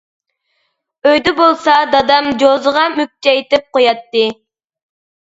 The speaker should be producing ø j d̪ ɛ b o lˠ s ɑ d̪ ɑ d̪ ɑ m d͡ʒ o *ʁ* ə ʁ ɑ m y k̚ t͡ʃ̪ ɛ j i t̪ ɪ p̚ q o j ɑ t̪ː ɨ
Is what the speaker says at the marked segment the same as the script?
no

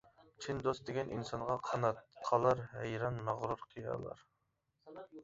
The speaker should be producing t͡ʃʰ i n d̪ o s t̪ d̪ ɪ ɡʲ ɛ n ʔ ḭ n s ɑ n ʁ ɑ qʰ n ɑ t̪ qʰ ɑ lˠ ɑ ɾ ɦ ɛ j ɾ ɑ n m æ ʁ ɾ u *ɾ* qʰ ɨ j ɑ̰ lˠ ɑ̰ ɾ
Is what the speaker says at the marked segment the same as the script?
yes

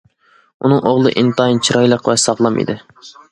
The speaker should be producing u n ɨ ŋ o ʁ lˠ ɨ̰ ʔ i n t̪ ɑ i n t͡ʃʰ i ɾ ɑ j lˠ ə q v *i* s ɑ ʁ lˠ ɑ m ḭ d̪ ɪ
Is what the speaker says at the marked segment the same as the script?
no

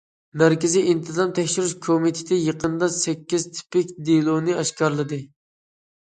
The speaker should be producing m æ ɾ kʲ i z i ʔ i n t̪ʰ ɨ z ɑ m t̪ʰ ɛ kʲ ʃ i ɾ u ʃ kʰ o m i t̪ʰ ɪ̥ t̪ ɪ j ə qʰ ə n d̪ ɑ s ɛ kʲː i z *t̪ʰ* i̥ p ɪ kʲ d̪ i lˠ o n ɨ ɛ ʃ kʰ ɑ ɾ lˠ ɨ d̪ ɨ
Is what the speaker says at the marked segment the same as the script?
yes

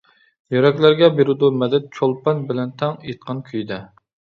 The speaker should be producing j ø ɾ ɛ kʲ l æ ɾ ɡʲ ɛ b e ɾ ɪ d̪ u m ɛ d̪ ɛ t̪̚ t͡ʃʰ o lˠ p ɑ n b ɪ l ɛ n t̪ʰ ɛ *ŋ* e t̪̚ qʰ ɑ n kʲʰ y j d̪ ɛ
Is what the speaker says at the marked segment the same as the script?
yes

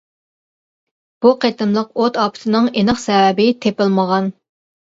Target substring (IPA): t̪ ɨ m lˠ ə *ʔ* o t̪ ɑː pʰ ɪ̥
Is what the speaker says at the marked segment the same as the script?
no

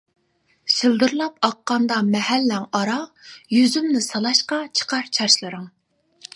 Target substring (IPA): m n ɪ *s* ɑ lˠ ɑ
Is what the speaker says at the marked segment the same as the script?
yes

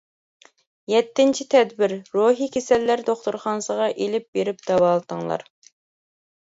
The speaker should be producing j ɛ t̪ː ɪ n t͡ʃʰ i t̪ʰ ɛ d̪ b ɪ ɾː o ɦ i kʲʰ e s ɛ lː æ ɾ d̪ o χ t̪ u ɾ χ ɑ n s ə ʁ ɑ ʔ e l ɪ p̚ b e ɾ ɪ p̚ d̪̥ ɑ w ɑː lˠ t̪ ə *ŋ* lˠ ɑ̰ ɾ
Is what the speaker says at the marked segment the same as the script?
yes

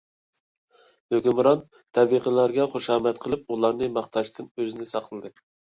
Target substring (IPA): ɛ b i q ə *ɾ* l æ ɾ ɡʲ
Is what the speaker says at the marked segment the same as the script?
no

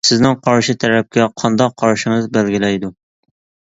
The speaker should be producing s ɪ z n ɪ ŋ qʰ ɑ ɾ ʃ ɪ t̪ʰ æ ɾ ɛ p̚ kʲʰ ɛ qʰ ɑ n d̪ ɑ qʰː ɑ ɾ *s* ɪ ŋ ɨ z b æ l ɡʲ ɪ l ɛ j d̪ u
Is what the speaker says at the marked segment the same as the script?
no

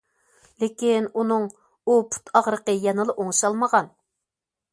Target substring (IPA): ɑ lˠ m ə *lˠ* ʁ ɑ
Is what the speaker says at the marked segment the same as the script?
no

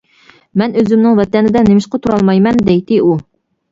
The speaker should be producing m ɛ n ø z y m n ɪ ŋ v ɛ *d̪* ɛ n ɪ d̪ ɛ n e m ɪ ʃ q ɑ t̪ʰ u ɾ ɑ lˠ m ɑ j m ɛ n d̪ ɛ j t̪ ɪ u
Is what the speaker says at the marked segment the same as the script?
no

